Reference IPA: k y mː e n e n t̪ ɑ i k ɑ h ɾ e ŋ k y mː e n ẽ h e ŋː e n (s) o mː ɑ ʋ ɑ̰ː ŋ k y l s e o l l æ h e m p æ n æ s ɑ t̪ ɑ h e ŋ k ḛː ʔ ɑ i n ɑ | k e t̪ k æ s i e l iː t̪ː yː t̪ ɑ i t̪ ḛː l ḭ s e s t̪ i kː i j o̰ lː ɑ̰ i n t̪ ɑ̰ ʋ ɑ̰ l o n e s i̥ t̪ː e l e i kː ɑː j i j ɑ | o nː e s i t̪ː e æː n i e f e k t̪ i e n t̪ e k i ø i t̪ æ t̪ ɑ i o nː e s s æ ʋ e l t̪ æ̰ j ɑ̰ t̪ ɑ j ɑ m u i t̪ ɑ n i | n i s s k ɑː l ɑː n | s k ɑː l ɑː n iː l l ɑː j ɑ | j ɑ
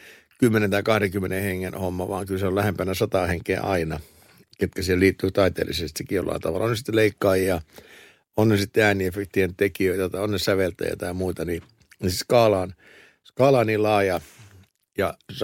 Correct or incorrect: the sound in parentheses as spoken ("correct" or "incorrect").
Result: incorrect